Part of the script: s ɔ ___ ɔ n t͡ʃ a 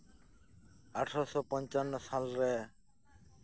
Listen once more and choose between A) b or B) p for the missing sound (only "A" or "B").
B